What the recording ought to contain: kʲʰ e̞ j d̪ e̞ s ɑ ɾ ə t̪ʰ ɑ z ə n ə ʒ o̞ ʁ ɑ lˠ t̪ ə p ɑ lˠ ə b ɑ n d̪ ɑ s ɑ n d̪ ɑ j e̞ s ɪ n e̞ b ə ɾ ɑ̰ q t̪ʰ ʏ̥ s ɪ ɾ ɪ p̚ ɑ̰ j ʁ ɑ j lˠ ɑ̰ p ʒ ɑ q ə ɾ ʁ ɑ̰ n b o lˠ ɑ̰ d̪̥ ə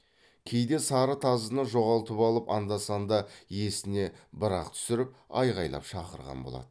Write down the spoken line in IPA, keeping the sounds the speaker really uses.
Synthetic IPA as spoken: kʲʰ e̞ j d̪ e̞ s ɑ ɾ ə t̪ʰ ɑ z ə n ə ʒ o̞ ʁ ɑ lˠ t̪ ə p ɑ lˠ ə p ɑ n d̪ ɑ s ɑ n d̪ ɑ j e̞ s ɪ n e̞ b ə ɾ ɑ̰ q t̪ʰ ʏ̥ s ɪ ɾ ɪ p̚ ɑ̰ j ʁ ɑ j lˠ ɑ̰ p ʃ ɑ q ə ɾ ʁ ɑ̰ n b o lˠ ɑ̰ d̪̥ ə

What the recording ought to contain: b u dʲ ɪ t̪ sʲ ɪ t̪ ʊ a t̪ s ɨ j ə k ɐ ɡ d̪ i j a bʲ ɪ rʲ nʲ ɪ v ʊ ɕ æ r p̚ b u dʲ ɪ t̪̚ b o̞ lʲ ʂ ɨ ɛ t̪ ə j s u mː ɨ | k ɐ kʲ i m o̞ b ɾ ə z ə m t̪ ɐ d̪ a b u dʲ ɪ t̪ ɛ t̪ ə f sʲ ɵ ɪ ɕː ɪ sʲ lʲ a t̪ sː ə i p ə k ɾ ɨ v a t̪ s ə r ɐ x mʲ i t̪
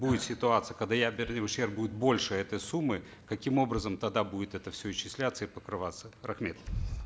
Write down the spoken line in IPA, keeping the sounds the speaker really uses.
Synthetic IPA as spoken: b u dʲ ɪ t̪ sʲ ɪ t̪ ʊ a t̪ s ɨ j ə k ɐ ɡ d̪ a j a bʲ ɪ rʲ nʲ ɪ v ʊ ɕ e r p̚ b u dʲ ɪ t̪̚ b o̞ lʲ ʂ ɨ ɛ t̪ ə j s u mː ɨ | k ɐ kʲ i m o̞ b ɾ ə z ə m t̪ ɐ d̪ a b u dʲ ɪ t̪ ɛ t̪ ə f sʲ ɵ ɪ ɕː ɪ sʲ lʲ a t̪ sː ə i p ə k ɾ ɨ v a t̪ s ə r ɐ x mʲ e t̪

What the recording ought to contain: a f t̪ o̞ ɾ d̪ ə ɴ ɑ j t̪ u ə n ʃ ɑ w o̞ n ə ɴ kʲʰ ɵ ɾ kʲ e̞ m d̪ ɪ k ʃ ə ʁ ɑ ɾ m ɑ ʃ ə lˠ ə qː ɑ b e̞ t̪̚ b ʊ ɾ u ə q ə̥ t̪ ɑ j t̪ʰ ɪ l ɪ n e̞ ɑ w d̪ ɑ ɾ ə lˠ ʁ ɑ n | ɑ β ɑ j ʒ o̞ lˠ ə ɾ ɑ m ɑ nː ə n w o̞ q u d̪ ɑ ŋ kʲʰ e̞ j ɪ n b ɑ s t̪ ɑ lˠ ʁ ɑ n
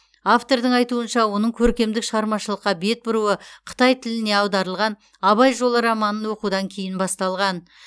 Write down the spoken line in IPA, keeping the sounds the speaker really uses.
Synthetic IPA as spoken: a f t̪ o̞ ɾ d̪ ə ɴ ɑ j t̪ u ə n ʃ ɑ w o̞ n ə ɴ kʲʰ ɵ ɾ kʲ e̞ m d̪ ɪ k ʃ ə ʁ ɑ ɾ m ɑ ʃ ə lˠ ə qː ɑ b e̞ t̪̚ b ʊ ɾ u ə qʰ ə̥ t̪ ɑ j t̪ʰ ɪ l ɪ n e̞ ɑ w d̪ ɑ ɾ ə lˠ ʁ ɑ n | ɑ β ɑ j ʒ o̞ lˠ ə ɾ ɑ m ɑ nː ə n w o̞ q u d̪ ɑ ŋ kʲʰ e̞ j ɪ n b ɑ s t̪ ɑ lˠ ʁ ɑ n

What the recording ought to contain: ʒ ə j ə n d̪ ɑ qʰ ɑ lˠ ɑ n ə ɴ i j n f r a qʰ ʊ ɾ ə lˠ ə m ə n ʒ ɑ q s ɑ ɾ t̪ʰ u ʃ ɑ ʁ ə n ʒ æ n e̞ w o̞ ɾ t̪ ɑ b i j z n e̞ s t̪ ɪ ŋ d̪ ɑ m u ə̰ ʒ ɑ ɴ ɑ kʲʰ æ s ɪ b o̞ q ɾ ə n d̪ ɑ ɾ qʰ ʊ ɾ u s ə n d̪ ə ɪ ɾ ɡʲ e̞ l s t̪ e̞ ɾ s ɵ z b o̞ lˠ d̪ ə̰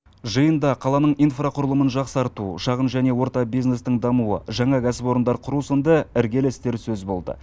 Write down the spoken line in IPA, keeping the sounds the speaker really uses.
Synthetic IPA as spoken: ʒ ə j ə n d̪ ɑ qʰ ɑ lˠ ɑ n ə ɴ i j n f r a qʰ ʊ ɾ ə lˠ ə m ə n ʒ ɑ q s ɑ ɾ t̪ u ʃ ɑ ʁ ə n ʒ æ n e̞ w o̞ ɾ t̪ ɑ b i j z n e̞ s t̪ ɪ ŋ d̪ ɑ m u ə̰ ʒ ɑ ɴ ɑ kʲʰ æ s ɪ p o̞ ɾ ə n d̪ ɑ ɾ qʰ ʊ ɾ u s ə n d̪ ə ɪ ɾ ɡʲ e̞ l s t̪ e̞ ɾ s ɵ z b o̞ lˠ d̪ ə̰

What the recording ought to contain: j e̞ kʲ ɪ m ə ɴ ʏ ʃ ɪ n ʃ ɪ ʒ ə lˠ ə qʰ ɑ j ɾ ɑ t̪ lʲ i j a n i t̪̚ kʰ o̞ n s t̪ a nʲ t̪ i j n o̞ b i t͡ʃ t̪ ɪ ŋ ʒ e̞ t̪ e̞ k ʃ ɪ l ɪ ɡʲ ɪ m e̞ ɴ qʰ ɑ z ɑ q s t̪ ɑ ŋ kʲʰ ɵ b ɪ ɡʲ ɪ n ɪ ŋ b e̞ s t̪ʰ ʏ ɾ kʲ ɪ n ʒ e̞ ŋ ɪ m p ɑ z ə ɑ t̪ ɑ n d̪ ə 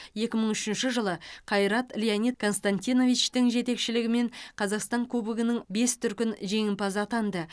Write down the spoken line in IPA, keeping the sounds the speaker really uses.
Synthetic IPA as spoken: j e̞ kʲ ɪ m ə ɴ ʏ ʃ ɪ n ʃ ɪ ʒ ə lˠ ə qʰ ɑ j ɾ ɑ t̪ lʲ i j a n i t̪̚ kʰ o̞ n s t̪ a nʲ t̪ i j n o̞ v i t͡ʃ t̪ ɪ ŋ ʒ e̞ t̪ e̞ k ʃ ɪ l ɪ ɡʲ ɪ m e̞ ɴ qʰ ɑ z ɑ q s t̪ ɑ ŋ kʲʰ ɵ b ɪ ɡʲ ɪ n ɪ ŋ b e̞ s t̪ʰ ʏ ɾ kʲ ɪ n ʒ e̞ ŋ ɪ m p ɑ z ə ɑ t̪ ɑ n d̪ ə

